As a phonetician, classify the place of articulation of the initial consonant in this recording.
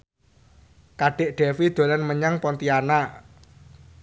velar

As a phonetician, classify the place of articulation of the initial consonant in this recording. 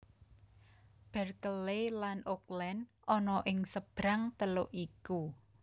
labial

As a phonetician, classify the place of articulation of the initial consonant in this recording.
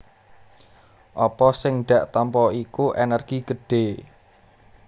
glottal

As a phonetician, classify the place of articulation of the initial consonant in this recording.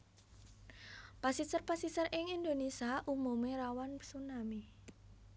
labial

